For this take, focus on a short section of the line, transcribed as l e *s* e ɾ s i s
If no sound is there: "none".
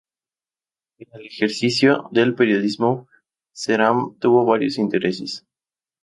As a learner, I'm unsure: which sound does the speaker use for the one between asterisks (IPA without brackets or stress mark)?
x